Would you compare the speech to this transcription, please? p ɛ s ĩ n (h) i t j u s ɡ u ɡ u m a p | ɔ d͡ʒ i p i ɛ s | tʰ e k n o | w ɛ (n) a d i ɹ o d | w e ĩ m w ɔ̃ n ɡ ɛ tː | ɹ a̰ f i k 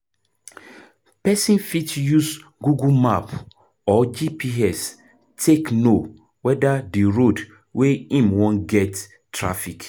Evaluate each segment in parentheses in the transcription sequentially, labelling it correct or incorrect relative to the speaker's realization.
incorrect, incorrect

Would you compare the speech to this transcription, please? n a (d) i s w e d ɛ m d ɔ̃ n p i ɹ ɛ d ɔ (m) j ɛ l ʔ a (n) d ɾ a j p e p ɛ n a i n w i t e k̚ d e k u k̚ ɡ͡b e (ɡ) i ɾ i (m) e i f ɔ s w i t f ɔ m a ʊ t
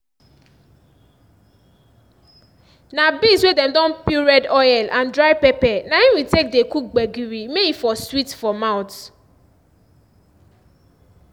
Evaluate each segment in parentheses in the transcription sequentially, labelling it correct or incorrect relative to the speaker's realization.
incorrect, incorrect, correct, correct, correct

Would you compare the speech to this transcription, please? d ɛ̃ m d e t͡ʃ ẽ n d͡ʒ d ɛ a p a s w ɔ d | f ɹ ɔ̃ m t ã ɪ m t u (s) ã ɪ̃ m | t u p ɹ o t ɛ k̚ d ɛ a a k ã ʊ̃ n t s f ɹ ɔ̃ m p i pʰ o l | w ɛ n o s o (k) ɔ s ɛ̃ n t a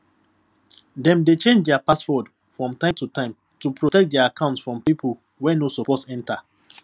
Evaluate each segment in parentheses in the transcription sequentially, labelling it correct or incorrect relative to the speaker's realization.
incorrect, incorrect

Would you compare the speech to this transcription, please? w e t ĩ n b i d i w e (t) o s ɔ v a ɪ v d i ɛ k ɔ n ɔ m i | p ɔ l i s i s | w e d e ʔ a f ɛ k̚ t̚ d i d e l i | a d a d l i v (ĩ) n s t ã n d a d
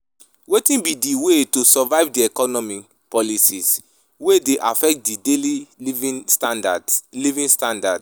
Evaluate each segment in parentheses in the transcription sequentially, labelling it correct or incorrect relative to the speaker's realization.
correct, correct

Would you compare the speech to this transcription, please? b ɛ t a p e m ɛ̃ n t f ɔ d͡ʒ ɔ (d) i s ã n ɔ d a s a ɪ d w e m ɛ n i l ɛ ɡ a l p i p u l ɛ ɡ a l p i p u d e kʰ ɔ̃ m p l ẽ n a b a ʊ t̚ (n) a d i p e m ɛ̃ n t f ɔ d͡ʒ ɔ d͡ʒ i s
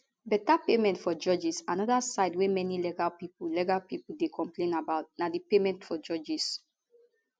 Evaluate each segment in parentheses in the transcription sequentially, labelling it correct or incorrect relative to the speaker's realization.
incorrect, correct

